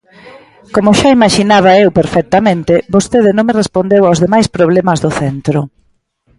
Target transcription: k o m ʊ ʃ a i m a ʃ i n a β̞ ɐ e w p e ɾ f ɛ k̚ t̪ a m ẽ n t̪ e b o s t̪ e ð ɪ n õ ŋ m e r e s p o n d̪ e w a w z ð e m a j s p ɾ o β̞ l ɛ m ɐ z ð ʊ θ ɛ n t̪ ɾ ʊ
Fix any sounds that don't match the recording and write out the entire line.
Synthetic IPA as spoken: k o m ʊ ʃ a i m a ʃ i n a β̞ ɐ e w p e ɾ f ɛ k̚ t̪ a m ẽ n t̪ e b o s t̪ e ð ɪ n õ ŋ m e r e s p o n d̪ e w a w z ð e m a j s p ɾ o β̞ l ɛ m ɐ z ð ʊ θ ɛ n t̪ ɾ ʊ